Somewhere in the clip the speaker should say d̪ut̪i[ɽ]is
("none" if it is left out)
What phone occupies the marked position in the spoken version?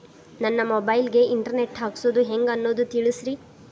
ɭ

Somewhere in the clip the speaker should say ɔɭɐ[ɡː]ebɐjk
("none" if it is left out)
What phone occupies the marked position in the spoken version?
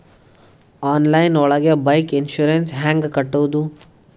ɡ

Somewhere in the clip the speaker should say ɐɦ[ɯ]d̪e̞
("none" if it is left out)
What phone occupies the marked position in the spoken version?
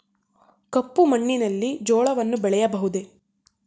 u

